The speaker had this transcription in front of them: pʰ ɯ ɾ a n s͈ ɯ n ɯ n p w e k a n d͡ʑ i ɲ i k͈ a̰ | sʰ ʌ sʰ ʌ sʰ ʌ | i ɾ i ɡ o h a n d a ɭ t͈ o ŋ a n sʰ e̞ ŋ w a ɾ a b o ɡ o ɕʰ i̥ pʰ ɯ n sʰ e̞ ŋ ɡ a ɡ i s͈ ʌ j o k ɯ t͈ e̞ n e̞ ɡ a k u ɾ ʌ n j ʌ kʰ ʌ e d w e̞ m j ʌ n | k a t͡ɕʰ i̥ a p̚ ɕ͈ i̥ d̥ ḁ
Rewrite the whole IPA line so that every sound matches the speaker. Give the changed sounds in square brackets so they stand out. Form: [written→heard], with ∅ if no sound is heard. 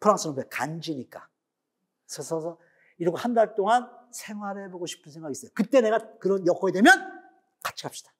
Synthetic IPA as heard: pʰ ɯ ɾ a [n→ŋ] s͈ ɯ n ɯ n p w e k a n d͡ʑ i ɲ i k͈ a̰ | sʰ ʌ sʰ ʌ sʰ ʌ | i ɾ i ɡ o h a n d a ɭ t͈ o ŋ a n sʰ e̞ ŋ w a ɾ [a→e] b o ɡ o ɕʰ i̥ pʰ ɯ n sʰ e̞ ŋ ɡ a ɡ i s͈ ʌ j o k ɯ t͈ e̞ n e̞ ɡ a k [u→ɯ] ɾ ʌ n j ʌ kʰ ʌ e d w e̞ m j ʌ n | k a t͡ɕʰ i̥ a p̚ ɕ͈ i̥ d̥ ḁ